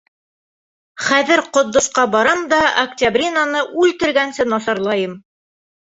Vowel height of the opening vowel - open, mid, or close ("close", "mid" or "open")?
open